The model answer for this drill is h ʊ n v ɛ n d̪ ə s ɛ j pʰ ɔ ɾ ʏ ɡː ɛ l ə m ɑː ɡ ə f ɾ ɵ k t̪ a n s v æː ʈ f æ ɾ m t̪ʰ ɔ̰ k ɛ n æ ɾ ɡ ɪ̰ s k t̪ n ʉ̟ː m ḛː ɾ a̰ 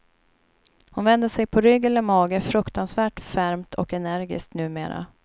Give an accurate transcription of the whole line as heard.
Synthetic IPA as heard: h ʊ n v ɛ n d̪ ə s ɛ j pʰ ɔ ɾ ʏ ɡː ɛ l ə m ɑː ɡ ə f ɾ ɵ k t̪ a n s v æː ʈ f æ ɾ m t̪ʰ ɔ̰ k ɛ n æ ɾ ɡ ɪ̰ s k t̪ n ʉ̟ː m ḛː ɾ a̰

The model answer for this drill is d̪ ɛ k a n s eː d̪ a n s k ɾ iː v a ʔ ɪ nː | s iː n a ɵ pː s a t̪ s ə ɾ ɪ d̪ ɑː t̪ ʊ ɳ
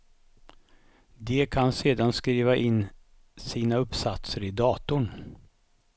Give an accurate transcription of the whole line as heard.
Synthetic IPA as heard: d̪ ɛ kʰ a n s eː d̪ a n s k ɾ iː v a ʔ ɪ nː | s iː n a ɵ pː s a t̪ s ə ɾ ɪ d̪ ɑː t̪ ʊ ɳ

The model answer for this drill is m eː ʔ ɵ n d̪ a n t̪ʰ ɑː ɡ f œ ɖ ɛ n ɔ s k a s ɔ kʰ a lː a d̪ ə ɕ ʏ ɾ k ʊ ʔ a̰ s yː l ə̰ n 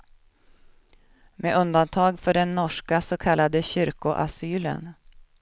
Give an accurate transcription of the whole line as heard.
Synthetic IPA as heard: m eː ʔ ɵ n d̪ a n t̪ʰ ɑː ɡ f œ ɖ ɛ nː ɔ ʂ k a s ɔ kʰ a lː a d̪ ə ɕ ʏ ɾ k ʊ ʔ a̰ s yː l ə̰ n

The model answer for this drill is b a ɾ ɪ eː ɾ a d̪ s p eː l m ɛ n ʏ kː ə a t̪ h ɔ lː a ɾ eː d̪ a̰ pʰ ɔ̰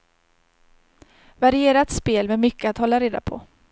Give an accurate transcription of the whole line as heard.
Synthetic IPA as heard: v a ɾ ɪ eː ɾ a t̪ s p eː l m ɛ m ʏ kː ə a t̪ h ɔ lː a ɾ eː d̪ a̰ pʰ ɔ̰

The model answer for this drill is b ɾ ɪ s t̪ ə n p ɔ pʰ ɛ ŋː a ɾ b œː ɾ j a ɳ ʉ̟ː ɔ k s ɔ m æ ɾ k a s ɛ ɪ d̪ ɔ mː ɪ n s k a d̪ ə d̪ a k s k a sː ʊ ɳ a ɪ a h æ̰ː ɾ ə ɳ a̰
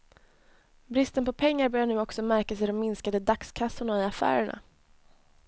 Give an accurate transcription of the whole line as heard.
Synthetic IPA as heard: b ɾ ɪ s t̪ ə n p ɔ pʰ ɛ ŋː a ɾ b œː ɾ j a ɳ ʉ̟ː ɔ k s ɔ m æ ɾ k a s ɛ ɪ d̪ ɔ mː ɪ n s k a d̪ ə d̪ a k s kʰ a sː ʊ ɳ a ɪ a f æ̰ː ɾ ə ɳ a̰

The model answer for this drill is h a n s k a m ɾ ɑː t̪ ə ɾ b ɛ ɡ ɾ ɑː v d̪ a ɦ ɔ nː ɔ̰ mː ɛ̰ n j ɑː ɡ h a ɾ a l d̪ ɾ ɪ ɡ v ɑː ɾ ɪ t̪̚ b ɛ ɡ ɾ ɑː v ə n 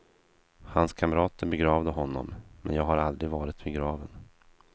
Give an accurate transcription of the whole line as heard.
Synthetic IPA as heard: h a n s kʰ a m ɾ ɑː t̪ ə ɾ b ɛ ɡ ɾ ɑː v d̪ ə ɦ ɔ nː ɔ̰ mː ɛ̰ n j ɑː ɡ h a ɾ a l d̪ ɾ ɪ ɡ v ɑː ɾ ɪ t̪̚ b ɛ ɡ ɾ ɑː v ə n

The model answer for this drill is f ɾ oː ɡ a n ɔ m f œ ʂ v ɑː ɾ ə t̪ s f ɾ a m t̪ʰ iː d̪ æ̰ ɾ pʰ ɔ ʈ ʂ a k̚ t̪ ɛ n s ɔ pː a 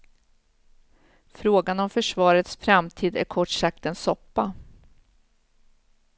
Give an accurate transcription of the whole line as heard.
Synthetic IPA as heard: f ɾ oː ɡ a n ɔ m f œ ʂ v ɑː ɾ ə t̪ s f ɾ a m t̪ʰ iː d̪ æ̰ ɾ kʰ ɔ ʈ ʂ a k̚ t̪ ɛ n s ɔ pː a

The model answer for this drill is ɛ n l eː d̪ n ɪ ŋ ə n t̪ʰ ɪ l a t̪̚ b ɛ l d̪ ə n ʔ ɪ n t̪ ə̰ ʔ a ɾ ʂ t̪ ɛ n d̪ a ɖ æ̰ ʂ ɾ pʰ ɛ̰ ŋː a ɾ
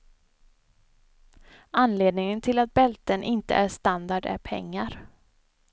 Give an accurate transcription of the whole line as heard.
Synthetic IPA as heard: a n l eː d̪ n ɪ ŋ ə n t̪ʰ ɪ l a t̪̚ b ɛ l t̪ ə n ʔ ɪ n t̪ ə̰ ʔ æ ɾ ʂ t̪ a n d̪ a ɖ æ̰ ɾ pʰ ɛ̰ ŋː a ɾ

